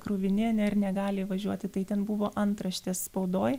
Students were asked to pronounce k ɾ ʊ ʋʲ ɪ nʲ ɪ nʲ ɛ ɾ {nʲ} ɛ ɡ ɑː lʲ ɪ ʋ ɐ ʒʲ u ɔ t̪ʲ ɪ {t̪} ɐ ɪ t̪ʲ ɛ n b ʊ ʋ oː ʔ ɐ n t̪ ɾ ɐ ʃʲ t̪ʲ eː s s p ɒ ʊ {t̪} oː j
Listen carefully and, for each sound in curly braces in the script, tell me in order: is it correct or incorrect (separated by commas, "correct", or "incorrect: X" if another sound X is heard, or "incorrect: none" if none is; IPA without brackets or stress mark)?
correct, correct, incorrect: d̪